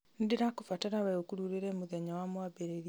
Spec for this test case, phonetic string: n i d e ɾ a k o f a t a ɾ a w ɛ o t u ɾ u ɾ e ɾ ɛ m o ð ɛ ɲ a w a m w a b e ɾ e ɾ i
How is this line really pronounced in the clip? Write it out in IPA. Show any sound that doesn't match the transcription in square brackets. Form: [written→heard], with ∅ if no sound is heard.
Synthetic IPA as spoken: n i d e ɾ a k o f a t a ɾ a w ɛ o [t→k] u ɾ u ɾ e ɾ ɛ m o ð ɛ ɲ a w a m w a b e ɾ e ɾ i